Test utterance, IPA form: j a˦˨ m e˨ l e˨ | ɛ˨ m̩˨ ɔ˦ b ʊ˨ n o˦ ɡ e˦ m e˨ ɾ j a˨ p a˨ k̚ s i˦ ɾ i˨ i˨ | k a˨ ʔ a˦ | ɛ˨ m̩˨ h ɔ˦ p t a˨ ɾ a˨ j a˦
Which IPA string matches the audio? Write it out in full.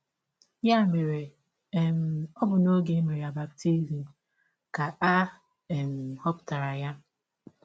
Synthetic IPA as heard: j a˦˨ m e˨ ɾ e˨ | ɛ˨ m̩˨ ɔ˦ b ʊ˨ n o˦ ɡ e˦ m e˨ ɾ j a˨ b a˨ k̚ t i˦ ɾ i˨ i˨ | k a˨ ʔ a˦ | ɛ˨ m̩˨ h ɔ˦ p t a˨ ɾ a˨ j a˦